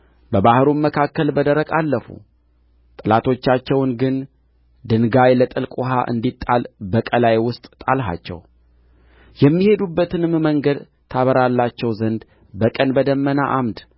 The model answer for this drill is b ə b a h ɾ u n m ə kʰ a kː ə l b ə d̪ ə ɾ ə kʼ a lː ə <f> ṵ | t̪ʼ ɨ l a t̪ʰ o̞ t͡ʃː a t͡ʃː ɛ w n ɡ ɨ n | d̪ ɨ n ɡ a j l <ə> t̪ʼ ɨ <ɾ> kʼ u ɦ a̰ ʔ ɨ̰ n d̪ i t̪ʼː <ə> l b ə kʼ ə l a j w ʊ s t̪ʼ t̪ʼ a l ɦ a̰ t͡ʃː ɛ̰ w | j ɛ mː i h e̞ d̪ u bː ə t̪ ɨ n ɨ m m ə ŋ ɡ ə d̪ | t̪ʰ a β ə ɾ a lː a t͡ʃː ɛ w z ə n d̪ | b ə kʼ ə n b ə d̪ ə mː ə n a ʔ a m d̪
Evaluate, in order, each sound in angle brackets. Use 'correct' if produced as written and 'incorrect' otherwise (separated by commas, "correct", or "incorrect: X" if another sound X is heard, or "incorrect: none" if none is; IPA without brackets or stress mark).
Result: correct, correct, incorrect: l, incorrect: a